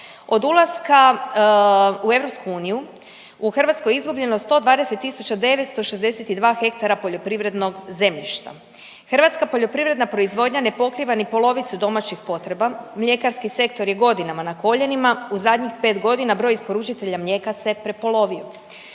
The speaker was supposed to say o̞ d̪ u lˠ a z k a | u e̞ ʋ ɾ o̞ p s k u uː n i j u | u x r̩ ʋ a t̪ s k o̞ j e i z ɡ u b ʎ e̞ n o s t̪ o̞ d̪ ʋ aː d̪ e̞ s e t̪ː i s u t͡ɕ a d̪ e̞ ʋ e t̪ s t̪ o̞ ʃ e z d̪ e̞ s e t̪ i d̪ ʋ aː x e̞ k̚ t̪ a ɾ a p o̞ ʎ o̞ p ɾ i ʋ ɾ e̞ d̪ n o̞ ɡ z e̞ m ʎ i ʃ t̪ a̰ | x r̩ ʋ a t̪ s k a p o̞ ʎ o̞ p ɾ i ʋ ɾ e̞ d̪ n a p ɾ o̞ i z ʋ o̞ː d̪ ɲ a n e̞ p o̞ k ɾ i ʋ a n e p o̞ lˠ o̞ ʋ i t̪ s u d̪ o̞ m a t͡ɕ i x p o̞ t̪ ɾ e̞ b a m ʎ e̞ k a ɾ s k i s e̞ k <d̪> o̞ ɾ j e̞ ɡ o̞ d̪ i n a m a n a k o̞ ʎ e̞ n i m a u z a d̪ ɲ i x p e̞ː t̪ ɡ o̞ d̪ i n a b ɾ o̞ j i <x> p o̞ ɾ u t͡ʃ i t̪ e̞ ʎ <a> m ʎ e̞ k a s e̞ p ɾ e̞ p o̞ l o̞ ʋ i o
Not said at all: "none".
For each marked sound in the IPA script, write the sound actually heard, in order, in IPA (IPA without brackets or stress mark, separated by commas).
t̪, s, a